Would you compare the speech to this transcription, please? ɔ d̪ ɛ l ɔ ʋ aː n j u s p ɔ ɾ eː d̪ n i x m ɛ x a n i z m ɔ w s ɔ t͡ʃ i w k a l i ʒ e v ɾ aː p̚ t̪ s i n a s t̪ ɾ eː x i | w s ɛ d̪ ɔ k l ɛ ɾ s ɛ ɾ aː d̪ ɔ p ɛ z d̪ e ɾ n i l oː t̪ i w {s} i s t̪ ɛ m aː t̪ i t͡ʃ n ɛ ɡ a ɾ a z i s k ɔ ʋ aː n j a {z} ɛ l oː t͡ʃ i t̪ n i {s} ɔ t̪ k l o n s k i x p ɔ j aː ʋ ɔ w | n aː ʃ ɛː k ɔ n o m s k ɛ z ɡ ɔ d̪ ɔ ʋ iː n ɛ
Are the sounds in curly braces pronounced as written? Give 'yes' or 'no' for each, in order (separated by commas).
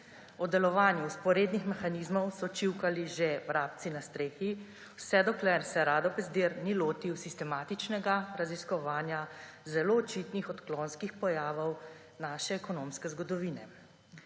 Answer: yes, yes, no